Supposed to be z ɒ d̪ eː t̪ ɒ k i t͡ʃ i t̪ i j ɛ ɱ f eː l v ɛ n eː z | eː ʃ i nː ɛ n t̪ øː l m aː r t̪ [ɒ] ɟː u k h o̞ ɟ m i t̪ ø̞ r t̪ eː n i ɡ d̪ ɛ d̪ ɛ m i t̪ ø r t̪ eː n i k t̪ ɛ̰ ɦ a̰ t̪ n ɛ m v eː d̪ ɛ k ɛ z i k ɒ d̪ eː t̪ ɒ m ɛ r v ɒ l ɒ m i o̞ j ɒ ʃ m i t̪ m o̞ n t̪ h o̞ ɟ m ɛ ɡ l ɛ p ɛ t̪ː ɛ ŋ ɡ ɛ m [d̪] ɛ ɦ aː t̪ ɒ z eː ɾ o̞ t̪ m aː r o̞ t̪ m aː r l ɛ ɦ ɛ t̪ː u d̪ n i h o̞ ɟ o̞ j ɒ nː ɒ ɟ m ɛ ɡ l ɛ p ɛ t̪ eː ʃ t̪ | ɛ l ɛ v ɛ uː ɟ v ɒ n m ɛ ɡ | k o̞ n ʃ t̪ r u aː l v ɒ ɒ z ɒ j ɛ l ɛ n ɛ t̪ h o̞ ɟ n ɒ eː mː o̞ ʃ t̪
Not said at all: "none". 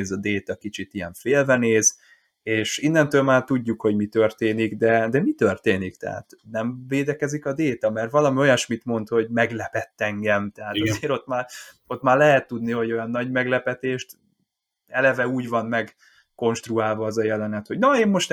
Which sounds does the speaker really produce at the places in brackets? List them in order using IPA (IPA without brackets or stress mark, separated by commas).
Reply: u, t̪